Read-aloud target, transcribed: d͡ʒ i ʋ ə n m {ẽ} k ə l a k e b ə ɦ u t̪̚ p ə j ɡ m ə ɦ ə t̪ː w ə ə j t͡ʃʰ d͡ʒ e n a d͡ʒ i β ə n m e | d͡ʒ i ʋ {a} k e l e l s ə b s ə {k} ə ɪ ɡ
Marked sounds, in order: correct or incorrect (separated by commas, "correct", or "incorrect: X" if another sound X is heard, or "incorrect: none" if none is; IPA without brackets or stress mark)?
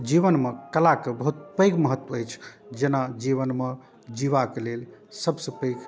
incorrect: e, correct, incorrect: p